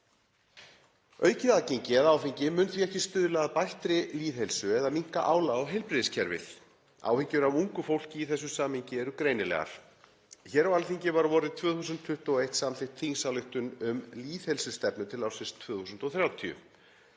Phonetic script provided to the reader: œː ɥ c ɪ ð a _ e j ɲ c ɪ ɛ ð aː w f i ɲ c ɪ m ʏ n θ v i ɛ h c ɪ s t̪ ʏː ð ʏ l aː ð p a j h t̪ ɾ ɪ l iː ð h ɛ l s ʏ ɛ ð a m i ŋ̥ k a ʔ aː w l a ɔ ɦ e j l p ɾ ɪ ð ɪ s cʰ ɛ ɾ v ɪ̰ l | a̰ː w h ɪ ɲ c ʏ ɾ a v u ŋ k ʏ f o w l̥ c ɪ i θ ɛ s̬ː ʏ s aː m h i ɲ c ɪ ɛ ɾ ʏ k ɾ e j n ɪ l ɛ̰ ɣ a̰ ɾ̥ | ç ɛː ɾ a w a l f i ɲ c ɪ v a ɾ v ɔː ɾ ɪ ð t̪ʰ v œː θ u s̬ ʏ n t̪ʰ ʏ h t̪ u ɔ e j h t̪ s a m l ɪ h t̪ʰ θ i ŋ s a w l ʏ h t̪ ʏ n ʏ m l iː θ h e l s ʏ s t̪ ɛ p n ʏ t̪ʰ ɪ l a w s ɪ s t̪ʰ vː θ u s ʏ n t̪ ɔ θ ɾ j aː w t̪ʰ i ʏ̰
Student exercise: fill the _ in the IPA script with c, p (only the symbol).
c